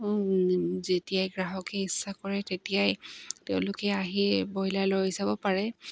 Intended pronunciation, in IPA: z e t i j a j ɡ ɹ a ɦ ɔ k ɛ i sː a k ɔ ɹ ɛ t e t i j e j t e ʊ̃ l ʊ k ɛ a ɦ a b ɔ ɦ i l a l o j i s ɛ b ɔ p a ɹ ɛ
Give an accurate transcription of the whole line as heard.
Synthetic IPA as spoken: z e t i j a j ɡ ɹ a ɦ ɔ k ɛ i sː a k ɔ ɹ ɛ t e t i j a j t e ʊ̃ l ʊ k ɛ a ɦ i b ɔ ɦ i l a l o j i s a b ɔ p a ɹ ɛ